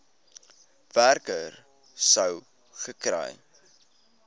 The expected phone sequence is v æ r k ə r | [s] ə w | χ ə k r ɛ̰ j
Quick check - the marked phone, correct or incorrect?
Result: correct